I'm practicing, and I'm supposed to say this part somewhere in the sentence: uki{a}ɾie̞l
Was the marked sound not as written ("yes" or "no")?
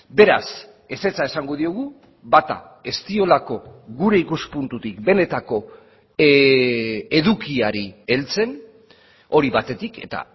no